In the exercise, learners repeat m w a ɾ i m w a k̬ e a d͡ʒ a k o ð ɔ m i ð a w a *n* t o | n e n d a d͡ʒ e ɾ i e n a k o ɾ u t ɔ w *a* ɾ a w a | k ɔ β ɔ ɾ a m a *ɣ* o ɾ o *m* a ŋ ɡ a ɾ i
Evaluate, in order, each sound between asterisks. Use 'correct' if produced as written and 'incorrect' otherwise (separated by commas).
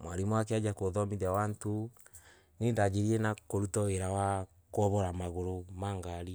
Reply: correct, incorrect, correct, correct